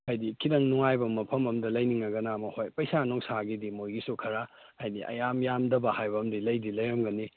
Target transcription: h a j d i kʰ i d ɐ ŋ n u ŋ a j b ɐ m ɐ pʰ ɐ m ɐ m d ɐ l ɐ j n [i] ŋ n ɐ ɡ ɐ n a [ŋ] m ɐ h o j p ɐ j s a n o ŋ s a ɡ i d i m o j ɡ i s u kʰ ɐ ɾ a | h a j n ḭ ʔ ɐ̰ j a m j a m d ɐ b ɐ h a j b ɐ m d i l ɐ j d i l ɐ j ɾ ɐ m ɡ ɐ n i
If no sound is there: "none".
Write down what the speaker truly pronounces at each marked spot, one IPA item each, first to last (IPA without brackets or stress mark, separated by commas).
i, none